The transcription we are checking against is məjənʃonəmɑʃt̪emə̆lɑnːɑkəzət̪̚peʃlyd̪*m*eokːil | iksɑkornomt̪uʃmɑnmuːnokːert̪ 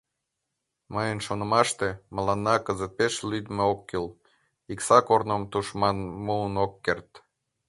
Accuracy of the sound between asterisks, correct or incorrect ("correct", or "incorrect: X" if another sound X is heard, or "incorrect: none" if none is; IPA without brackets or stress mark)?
correct